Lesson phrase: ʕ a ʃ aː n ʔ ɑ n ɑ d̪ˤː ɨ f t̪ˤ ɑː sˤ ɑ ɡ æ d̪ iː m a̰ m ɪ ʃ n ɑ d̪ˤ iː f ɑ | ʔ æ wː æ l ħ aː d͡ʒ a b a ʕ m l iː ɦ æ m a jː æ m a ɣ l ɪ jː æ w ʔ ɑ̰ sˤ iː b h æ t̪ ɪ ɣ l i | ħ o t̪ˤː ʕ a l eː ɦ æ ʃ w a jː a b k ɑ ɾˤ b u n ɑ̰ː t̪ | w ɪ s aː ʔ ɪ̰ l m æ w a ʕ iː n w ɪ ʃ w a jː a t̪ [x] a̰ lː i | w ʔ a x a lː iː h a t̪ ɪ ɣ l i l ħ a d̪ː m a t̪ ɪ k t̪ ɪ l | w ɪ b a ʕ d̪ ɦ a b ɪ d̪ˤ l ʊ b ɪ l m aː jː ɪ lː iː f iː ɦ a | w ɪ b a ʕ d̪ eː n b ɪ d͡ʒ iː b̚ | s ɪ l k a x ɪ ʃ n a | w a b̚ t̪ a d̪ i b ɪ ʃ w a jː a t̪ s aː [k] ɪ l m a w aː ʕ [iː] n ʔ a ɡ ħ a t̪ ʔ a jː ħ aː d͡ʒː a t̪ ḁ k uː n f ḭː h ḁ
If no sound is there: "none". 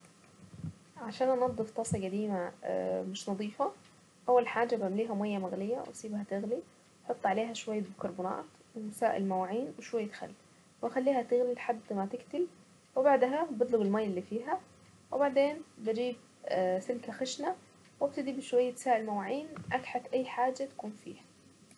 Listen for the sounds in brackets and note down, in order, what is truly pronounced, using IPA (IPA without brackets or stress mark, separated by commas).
x, ʔ, iː